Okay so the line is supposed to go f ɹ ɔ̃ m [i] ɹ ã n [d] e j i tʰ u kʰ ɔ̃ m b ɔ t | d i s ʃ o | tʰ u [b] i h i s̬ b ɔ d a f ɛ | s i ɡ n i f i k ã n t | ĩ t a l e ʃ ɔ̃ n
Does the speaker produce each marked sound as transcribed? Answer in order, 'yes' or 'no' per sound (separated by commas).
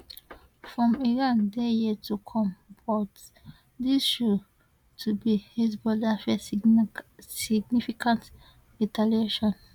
yes, yes, yes